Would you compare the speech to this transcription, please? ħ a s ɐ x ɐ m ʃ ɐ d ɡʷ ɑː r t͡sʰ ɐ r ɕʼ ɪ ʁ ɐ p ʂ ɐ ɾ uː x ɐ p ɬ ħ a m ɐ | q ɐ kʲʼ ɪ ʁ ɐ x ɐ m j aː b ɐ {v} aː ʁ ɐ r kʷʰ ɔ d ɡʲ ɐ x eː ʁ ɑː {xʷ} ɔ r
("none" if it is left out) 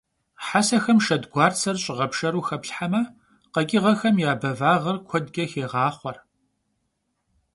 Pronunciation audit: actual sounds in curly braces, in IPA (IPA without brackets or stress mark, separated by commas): v, χʷ